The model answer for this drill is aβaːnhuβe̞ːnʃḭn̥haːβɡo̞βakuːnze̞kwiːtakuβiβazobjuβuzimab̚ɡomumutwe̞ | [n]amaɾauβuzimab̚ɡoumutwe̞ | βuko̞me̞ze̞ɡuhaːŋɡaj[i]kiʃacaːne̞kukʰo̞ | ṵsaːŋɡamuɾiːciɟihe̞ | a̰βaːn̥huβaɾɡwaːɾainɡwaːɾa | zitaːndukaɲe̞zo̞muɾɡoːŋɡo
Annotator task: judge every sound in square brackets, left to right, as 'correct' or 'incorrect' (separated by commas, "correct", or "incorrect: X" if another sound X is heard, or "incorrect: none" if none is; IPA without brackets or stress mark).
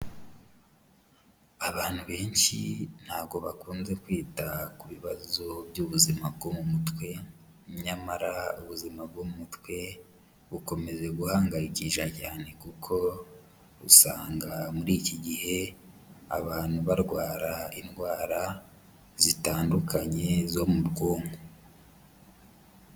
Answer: incorrect: ɲ, correct